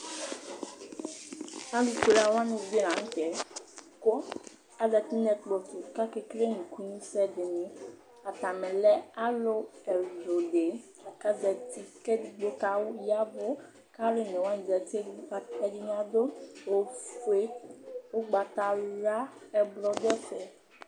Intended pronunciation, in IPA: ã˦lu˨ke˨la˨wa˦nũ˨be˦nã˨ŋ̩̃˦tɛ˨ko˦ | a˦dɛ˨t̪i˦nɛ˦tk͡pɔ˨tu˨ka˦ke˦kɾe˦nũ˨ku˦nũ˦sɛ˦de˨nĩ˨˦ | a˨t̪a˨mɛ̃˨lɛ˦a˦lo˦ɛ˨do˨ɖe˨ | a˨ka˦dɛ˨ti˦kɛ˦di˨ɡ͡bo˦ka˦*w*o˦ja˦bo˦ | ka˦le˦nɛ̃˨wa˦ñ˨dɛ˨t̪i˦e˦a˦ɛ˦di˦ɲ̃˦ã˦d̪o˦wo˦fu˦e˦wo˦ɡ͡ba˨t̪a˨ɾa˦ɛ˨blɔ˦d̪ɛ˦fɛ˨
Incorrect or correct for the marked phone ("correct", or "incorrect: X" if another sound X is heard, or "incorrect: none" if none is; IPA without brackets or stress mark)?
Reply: correct